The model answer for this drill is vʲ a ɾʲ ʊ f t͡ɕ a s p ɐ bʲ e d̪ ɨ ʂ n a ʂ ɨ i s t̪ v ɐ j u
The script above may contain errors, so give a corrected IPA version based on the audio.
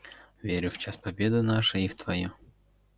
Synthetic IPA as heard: vʲ e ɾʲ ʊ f t͡ɕ a s p ɐ bʲ e d̪ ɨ n a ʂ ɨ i f t̪ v ɐ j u